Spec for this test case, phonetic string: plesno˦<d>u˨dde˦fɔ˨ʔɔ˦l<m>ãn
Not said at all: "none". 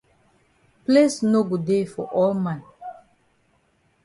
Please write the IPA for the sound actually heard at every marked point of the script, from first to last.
ɡ, m

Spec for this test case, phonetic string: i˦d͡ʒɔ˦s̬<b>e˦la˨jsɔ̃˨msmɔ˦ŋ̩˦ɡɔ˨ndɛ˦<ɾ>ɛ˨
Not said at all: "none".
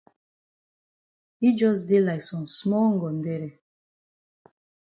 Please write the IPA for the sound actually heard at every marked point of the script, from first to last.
d, ɾ

